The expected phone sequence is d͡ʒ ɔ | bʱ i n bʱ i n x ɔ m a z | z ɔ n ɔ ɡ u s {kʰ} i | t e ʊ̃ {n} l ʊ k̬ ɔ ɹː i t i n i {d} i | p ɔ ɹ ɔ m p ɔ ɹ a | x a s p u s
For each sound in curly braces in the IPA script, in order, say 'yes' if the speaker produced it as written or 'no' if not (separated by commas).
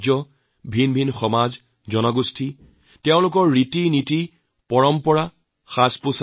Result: no, no, no